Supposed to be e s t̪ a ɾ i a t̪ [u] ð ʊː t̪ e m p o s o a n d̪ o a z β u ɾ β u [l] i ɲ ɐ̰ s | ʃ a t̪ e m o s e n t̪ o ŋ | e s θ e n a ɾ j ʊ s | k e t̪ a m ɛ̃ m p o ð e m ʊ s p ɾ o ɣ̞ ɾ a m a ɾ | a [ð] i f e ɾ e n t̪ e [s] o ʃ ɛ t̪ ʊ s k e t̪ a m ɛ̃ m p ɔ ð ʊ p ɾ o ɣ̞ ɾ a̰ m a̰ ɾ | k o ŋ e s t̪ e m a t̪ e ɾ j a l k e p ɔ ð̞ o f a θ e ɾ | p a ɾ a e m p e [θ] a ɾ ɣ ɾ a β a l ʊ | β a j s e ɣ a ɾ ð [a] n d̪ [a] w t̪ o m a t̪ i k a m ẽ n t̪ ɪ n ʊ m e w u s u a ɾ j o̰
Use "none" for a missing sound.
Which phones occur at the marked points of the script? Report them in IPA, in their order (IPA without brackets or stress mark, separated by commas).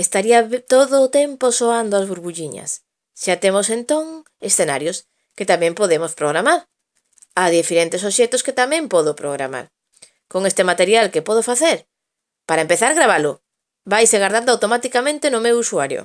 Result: o, ʎ, ð, s, θ, a, a